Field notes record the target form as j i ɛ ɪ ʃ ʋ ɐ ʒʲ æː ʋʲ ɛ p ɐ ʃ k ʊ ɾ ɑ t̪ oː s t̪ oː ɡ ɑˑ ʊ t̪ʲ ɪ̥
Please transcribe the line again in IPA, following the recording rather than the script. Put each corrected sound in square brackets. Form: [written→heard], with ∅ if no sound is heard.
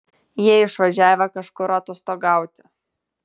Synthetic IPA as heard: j i ɛ ɪ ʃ ʋ ɐ ʒʲ æː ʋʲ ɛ [p→k] ɐ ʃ k ʊ ɾ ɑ t̪ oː s t̪ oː ɡ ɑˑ ʊ t̪ʲ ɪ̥